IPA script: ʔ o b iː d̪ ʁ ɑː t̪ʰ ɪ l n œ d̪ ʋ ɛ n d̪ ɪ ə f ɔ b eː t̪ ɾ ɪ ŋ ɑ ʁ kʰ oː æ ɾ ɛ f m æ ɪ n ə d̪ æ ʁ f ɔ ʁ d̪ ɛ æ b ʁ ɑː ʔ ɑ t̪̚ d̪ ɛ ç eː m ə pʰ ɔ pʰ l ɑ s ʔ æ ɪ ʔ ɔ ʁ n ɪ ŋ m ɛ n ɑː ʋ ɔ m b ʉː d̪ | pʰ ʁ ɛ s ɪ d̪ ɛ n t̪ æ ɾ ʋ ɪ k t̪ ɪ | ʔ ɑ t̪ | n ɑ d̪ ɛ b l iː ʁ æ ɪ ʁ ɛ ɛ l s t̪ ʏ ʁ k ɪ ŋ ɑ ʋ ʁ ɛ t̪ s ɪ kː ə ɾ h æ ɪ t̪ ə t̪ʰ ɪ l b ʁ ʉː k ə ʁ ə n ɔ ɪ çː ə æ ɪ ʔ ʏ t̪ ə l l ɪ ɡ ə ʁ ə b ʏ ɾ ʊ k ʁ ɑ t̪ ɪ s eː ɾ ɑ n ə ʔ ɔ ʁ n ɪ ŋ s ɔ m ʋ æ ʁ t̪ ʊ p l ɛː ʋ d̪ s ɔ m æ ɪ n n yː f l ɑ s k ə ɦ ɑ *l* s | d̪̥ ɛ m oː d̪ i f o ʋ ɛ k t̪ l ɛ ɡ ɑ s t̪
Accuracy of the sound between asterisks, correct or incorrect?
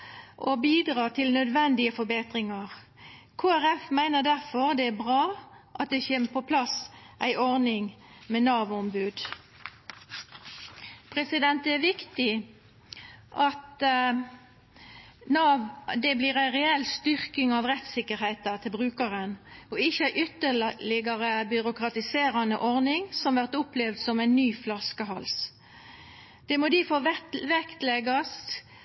correct